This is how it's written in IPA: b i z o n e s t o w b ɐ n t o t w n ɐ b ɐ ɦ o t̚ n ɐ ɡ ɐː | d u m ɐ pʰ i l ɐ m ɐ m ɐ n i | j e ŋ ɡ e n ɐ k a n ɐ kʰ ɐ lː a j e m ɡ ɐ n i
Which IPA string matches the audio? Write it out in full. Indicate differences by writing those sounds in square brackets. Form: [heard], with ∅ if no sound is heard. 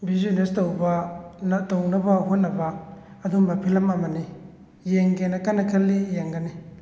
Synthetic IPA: b i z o n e s t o w b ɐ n t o [∅] w n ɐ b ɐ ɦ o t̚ n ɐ [b] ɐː | d u m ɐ pʰ i l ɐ m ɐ m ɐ n i | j e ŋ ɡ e n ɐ k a n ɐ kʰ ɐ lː [i] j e [ŋ] ɡ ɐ n i